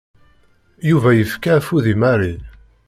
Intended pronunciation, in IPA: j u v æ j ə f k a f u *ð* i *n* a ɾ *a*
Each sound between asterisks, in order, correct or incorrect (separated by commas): correct, incorrect, incorrect